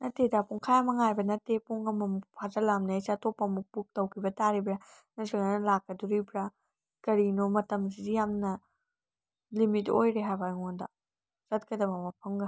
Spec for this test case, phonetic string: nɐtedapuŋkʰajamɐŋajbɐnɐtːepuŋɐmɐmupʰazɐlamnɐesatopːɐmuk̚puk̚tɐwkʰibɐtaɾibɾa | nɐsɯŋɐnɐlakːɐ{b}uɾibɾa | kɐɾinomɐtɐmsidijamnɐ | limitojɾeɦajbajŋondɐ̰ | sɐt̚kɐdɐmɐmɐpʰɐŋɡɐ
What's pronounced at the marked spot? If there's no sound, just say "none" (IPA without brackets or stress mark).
d